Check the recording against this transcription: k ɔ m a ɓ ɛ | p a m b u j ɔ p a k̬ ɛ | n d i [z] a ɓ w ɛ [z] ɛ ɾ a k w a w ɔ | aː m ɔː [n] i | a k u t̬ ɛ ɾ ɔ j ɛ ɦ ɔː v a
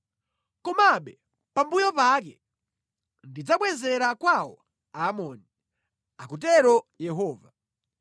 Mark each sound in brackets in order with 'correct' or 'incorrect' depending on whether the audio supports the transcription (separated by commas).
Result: incorrect, correct, correct